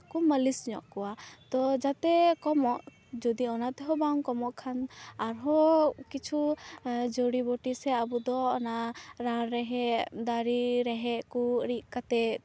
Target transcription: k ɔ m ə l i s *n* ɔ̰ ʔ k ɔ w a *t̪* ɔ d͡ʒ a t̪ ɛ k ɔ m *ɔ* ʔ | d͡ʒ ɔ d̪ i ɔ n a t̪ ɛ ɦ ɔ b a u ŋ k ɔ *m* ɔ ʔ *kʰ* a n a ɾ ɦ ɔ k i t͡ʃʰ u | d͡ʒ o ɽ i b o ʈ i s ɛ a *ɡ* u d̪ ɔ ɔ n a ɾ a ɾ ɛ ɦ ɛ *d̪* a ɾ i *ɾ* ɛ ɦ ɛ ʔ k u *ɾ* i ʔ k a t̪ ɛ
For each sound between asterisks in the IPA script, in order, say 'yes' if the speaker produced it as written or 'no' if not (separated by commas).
no, yes, yes, yes, yes, no, yes, yes, yes